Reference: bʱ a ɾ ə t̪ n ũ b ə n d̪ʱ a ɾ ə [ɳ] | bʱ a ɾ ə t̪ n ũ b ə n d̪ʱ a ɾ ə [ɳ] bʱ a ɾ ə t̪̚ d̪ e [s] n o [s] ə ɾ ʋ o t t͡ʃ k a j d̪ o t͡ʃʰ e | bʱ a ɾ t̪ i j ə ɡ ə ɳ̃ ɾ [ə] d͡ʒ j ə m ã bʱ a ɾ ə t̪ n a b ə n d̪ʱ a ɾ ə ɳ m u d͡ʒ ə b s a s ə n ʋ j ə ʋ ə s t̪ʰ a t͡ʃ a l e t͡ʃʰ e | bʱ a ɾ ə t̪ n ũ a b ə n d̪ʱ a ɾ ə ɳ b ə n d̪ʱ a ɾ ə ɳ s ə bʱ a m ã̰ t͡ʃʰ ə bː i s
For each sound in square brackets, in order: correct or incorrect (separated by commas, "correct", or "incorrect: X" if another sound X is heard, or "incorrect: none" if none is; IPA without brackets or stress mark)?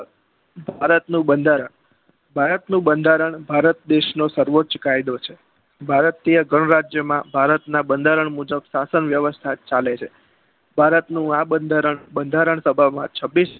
correct, correct, incorrect: ʃ, correct, incorrect: a